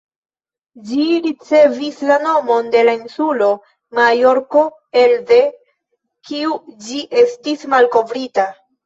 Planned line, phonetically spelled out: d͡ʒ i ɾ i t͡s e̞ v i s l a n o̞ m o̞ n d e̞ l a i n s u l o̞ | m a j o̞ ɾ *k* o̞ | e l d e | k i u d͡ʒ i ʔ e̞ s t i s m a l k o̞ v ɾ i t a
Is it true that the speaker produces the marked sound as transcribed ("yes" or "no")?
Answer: yes